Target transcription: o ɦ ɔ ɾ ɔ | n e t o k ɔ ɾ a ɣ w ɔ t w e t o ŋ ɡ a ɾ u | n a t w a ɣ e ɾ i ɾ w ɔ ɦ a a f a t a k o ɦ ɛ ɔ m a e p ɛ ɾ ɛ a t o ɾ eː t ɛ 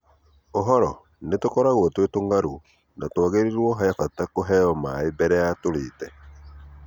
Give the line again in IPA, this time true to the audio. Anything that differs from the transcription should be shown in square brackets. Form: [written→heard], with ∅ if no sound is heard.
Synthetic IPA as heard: o ɦ ɔ ɾ ɔ | n e t o k ɔ ɾ a ɣ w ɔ t w e t o ŋ ɡ a ɾ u | n a t w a ɣ e ɾ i ɾ w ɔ ɦ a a f a t a k o ɦ ɛ ɔ m a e [p→b] ɛ ɾ ɛ a t o ɾ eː t ɛ